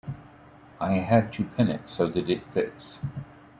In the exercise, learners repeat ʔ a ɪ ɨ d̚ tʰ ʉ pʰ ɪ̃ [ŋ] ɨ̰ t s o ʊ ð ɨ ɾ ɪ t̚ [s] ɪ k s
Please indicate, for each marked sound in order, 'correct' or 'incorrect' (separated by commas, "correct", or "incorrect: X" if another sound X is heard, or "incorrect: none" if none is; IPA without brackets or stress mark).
incorrect: n, incorrect: f